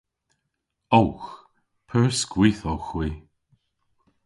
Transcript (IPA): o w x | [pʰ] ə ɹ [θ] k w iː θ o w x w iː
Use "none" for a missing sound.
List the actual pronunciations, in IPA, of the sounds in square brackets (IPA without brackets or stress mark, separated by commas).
pʰ, s